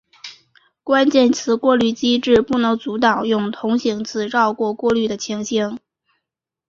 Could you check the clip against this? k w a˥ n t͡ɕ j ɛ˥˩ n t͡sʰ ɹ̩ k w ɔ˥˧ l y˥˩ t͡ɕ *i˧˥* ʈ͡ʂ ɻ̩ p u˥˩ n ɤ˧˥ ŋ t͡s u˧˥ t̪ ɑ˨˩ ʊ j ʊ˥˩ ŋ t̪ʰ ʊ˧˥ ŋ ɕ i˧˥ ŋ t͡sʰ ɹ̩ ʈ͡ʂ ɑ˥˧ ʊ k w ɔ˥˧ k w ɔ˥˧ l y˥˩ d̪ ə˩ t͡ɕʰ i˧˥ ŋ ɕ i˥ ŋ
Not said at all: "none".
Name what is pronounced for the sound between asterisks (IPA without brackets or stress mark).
i˥